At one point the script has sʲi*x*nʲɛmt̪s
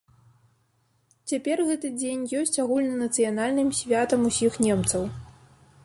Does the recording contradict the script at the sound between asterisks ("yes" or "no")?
no